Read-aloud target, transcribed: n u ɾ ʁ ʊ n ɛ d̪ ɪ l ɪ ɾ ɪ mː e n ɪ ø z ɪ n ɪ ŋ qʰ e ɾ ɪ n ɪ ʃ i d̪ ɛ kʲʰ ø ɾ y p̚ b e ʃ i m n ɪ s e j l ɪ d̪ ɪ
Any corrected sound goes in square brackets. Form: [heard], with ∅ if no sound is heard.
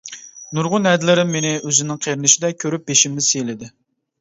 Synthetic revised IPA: n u ɾ ʁ ʊ n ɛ d̪ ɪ l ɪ ɾ ɪ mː e n ɪ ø z ɪ n ɪ ŋ qʰ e ɾ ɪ n ɪ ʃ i d̪ ɛ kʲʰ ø ɾ y p̚ b e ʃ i m n ɪ s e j l ɪ d̪ ɪ